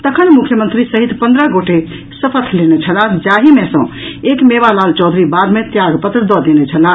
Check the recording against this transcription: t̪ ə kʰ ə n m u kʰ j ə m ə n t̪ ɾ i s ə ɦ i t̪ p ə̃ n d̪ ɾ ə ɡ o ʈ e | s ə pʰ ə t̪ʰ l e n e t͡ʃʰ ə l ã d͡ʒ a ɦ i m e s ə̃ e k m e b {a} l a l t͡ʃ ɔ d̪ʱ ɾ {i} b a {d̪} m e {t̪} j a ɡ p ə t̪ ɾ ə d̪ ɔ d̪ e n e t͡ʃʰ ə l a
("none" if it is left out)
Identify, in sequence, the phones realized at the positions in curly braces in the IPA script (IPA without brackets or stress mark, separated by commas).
a, i, d̪, t̪